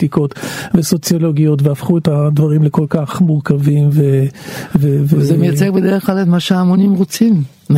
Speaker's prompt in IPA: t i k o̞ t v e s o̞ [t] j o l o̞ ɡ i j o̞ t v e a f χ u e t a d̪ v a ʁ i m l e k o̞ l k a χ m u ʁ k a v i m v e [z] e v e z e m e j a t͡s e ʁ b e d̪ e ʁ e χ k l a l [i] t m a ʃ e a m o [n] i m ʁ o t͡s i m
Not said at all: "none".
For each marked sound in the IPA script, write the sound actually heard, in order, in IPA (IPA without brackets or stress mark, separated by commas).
t͡s, v, e, n